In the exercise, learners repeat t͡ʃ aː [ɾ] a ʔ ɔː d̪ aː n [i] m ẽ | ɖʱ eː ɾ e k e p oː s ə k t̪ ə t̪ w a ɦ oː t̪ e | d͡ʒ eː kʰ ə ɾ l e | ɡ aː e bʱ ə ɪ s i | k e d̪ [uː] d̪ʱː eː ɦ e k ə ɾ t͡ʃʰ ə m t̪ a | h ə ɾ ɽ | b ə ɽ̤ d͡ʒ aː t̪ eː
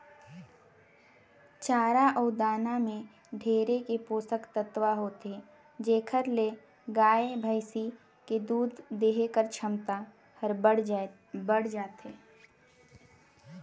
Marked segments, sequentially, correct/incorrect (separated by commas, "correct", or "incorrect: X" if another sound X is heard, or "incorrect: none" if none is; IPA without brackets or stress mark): correct, incorrect: a, correct